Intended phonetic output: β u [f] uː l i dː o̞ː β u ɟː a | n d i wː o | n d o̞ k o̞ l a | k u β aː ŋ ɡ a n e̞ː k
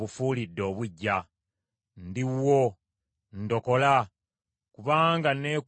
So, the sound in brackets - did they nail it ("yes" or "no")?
yes